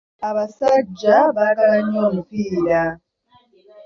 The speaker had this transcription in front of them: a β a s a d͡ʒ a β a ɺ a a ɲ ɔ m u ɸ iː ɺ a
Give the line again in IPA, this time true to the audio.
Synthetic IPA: a β a s a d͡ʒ a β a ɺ a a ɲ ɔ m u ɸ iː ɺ a